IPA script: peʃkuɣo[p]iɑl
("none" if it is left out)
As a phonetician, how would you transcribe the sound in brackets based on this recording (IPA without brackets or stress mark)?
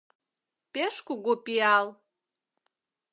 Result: p